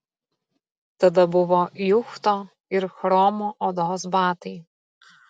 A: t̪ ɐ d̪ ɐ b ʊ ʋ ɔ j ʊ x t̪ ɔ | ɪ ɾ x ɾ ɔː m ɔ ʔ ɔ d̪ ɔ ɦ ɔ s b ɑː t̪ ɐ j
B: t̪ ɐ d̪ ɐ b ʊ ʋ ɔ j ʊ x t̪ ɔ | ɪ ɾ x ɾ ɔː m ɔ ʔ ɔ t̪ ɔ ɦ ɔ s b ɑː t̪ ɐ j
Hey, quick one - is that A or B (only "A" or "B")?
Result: A